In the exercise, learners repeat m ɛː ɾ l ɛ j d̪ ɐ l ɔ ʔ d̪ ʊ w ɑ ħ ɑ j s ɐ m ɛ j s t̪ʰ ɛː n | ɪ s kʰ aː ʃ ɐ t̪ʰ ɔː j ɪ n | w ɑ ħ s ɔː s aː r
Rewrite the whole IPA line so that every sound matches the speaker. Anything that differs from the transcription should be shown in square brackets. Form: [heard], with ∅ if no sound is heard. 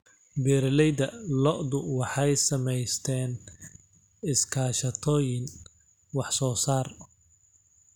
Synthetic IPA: [b] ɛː ɾ l ɛ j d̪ ɐ l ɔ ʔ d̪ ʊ w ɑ ħ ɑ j s ɐ m ɛ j s t̪ʰ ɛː n | ɪ s kʰ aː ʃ ɐ t̪ʰ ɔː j ɪ n | w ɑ ħ s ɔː s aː r

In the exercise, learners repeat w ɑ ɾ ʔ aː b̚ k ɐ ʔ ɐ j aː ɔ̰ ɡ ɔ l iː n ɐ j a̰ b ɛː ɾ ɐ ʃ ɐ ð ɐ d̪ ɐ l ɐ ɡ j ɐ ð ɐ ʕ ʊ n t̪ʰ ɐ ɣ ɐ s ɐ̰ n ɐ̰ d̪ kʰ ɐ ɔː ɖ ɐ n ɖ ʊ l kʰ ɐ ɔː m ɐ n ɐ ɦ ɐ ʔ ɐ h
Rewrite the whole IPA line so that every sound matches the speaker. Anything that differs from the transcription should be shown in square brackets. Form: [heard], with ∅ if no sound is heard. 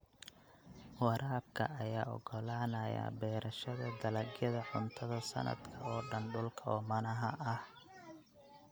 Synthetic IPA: w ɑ ɾ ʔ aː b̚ [kʰ] ɐ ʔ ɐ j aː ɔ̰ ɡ ɔ l [aː] n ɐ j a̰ b ɛː ɾ ɐ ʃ ɐ ð ɐ d̪ ɐ l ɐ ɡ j ɐ ð ɐ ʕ ʊ n t̪ʰ ɐ [ð] ɐ s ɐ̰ n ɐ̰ d̪ kʰ ɐ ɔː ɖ ɐ n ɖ ʊ l kʰ ɐ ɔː m ɐ n ɐ ɦ ɐ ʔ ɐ h

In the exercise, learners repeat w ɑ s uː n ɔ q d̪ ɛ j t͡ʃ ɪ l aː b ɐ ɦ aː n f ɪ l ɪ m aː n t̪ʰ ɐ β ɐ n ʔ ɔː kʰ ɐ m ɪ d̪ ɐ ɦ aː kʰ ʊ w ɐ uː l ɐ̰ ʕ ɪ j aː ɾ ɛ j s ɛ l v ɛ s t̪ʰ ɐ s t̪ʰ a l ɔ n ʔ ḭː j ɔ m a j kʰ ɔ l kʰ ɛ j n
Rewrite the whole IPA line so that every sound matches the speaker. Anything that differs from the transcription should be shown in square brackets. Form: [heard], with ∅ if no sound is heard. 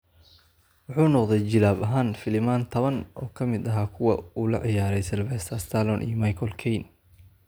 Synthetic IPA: w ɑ [ħ] uː n ɔ q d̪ ɛ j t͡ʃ ɪ l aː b ɐ ɦ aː n f ɪ l ɪ m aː n t̪ʰ ɐ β ɐ n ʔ ɔː kʰ ɐ m ɪ d̪ ɐ ɦ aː kʰ ʊ w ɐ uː l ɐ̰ ʕ ɪ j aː ɾ ɛ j s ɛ l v ɛ s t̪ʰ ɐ s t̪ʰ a l ɔ n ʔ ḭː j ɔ m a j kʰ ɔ l kʰ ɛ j n

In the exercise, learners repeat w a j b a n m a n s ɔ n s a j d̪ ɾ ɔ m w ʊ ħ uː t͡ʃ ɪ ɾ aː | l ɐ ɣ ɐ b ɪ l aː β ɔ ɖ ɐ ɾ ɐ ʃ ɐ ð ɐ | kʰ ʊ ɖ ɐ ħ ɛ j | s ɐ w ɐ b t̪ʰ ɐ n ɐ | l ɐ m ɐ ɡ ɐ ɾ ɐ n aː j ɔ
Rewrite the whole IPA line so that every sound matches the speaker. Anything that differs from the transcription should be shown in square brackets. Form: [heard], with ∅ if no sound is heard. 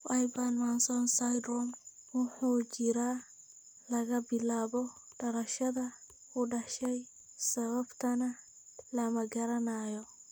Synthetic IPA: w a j b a n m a n s ɔ n s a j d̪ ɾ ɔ m w ʊ ħ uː t͡ʃ ɪ ɾ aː | l ɐ ɣ ɐ b ɪ l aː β ɔ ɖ ɐ ɾ ɐ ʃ ɐ ð ɐ | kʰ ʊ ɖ ɐ [ʃ] ɛ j | s ɐ [β] ɐ b t̪ʰ ɐ n ɐ | l ɐ m ɐ ɡ ɐ ɾ ɐ n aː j ɔ

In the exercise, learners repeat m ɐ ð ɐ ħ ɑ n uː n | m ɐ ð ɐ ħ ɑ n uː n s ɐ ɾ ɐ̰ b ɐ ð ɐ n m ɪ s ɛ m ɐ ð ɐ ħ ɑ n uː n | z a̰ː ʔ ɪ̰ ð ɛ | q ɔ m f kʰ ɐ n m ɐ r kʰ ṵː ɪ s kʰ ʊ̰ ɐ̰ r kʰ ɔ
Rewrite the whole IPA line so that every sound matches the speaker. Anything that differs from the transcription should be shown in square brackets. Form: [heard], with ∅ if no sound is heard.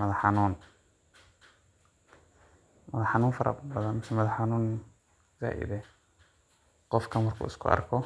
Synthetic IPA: m ɐ ð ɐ ħ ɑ n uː n | m ɐ ð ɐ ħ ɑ n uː n [f] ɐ ɾ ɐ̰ b ɐ ð ɐ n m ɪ s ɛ m ɐ ð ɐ ħ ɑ n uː n | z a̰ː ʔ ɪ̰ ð ɛ | q ɔ [∅] f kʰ ɐ n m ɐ r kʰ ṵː ɪ s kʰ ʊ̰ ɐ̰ r kʰ ɔ

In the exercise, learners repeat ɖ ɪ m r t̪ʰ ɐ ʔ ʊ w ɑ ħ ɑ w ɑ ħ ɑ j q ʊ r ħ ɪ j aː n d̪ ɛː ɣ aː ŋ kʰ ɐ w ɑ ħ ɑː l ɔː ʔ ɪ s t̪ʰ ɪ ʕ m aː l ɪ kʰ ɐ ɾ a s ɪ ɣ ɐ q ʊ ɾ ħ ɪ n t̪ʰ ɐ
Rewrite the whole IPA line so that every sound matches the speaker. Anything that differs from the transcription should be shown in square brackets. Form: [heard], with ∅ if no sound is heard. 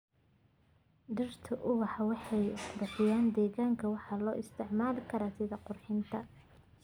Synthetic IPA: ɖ ɪ [∅] r t̪ʰ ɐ ʔ ʊ w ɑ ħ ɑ w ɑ ħ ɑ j q ʊ r ħ ɪ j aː n d̪ ɛː ɣ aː ŋ kʰ ɐ w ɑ ħ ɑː l ɔː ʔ ɪ s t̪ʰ ɪ ʕ m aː l ɪ kʰ ɐ ɾ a s ɪ [ð] ɐ q ʊ [r] ħ ɪ n t̪ʰ ɐ

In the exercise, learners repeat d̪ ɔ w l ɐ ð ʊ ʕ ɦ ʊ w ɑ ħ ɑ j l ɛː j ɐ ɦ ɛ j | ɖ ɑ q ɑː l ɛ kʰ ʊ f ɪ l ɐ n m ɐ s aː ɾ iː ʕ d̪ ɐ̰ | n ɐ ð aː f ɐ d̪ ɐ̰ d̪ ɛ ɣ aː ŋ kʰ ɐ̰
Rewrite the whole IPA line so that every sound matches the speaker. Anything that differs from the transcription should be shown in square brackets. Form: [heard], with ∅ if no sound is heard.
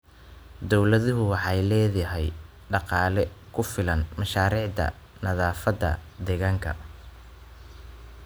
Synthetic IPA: d̪ ɔ w l ɐ ð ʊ [∅] ɦ ʊ w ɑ ħ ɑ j l ɛː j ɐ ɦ ɛ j | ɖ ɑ q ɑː l ɛ kʰ ʊ f ɪ l ɐ n m ɐ [ʃ] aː ɾ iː ʕ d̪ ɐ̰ | n ɐ ð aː f ɐ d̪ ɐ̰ d̪ ɛ ɣ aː ŋ kʰ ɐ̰

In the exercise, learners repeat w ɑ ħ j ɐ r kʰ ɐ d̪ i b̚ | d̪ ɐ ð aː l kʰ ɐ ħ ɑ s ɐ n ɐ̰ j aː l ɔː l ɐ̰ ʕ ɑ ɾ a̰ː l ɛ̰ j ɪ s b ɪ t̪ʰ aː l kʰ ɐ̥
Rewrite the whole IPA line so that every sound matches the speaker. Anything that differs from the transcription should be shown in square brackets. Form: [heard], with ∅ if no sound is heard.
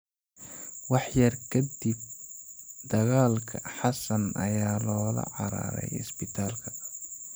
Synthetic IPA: w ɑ ħ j ɐ r kʰ ɐ d̪ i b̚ | d̪ ɐ [ɣ] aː l kʰ ɐ ħ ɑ s ɐ n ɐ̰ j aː l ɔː l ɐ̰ ʕ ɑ ɾ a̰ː [ɾ] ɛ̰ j ɪ s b ɪ t̪ʰ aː l kʰ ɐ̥

